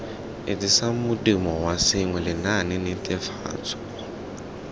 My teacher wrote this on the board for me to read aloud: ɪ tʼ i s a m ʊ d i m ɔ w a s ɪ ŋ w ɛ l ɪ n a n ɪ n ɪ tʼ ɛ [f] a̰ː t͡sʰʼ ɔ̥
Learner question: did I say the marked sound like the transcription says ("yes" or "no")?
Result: yes